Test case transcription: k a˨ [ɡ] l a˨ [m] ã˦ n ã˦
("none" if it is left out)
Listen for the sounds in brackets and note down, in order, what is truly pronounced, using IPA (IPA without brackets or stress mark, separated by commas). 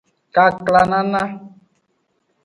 k, n